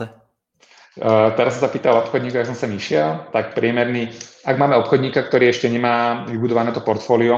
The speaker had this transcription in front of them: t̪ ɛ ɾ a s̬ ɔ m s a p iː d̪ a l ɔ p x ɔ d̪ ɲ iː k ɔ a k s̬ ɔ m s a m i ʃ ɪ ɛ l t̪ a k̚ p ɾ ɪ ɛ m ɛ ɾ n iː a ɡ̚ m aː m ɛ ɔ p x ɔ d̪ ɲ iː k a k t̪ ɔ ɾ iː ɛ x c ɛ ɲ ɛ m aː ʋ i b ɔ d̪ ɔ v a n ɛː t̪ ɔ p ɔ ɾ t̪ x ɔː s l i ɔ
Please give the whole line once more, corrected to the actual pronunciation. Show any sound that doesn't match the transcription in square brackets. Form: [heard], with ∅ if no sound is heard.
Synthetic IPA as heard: t̪ ɛ ɾ a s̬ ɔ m s a p iː [t̪] a l ɔ p x ɔ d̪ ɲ iː k ɔ a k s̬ ɔ m s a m i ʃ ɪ ɛ l t̪ a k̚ p ɾ ɪ ɛ m ɛ ɾ n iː a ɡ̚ m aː m ɛ ɔ p x ɔ d̪ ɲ iː k a k t̪ ɔ ɾ iː ɛ [ʃ] c ɛ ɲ ɛ m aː ʋ i b [u] d̪ ɔ [ʋ] a n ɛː t̪ ɔ p ɔ ɾ t̪ [f] ɔː [∅] l i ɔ